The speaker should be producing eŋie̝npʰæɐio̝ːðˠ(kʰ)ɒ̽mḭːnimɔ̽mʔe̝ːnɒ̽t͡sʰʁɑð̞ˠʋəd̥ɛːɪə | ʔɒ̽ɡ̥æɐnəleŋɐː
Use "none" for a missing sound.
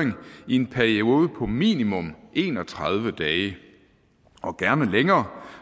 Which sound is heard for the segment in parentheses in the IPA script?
pʰ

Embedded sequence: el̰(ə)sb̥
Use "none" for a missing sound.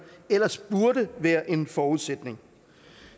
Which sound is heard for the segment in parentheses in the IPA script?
ɐ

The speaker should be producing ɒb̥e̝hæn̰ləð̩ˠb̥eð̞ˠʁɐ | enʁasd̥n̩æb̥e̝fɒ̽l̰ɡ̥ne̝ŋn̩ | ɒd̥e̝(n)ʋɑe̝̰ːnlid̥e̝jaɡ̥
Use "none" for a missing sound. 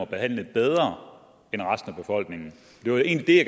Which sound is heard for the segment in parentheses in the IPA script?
none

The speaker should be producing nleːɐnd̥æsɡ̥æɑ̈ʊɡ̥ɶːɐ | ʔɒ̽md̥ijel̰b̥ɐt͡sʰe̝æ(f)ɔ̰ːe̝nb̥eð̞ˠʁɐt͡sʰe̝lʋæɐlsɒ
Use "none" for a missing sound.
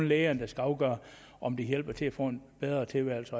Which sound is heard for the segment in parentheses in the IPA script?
f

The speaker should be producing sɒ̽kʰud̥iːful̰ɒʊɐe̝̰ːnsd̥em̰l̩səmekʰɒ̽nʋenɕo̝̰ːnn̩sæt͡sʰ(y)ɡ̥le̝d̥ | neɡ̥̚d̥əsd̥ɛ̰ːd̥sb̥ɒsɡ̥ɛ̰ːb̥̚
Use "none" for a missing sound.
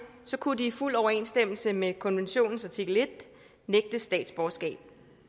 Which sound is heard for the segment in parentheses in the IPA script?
i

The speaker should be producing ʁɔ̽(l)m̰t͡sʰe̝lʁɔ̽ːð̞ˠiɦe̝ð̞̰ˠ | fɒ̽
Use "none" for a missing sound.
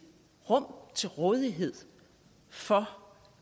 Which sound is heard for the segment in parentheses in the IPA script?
none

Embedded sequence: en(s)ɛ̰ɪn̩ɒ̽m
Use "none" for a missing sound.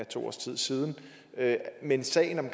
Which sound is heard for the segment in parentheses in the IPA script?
s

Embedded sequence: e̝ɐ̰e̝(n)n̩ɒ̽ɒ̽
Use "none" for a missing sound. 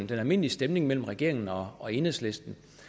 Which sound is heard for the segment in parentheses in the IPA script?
ŋ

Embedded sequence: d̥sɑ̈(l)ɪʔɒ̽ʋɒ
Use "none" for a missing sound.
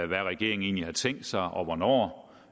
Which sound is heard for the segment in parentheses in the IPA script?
none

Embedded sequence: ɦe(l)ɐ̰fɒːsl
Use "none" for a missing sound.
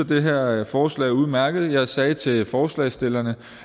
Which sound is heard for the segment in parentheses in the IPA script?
none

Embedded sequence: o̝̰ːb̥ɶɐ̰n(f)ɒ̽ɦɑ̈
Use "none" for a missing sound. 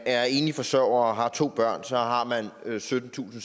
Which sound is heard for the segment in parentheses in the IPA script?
s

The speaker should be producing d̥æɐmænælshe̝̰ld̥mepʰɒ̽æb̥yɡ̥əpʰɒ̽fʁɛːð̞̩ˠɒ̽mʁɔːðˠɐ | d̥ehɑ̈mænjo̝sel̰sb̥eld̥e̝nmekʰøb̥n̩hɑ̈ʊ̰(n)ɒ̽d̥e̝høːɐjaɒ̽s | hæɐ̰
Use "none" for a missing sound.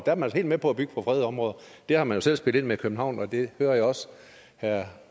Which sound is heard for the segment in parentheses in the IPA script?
n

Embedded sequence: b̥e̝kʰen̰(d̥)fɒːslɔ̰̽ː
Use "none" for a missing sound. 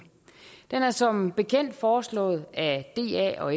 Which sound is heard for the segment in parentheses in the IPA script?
d̥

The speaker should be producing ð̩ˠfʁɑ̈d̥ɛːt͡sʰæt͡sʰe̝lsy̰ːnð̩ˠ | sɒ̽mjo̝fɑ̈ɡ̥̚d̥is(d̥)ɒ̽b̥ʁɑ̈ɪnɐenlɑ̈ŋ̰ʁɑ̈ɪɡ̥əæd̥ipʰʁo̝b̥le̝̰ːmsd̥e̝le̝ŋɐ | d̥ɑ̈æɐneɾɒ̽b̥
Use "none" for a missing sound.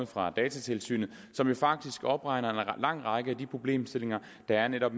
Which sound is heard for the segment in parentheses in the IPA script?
ɡ̥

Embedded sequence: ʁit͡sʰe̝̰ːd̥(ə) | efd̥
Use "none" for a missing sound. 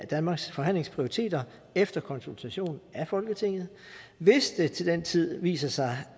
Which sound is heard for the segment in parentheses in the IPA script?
ɐ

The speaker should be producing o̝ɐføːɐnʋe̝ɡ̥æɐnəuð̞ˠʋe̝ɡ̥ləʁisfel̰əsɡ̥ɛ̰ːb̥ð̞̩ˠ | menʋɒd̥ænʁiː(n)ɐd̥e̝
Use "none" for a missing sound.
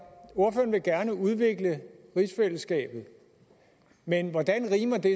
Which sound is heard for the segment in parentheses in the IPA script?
m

